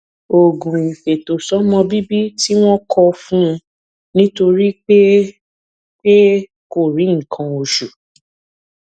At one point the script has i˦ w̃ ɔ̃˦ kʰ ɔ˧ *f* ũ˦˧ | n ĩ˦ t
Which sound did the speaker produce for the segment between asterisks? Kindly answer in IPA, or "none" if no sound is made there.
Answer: f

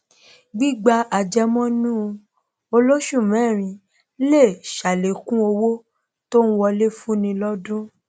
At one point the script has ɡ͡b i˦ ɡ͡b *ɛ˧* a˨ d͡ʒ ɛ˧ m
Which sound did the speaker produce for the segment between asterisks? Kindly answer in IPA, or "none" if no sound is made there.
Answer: a˧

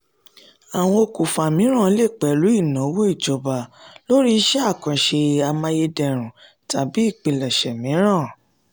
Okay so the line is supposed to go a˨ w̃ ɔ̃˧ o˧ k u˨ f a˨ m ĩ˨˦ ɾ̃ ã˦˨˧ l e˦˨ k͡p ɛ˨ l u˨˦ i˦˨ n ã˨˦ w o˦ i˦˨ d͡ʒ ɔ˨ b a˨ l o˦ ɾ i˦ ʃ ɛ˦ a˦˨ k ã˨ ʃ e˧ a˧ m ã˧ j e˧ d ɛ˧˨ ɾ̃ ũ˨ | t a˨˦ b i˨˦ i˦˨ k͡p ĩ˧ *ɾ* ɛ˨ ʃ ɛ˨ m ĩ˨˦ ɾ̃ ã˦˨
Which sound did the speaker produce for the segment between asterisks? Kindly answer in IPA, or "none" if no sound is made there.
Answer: l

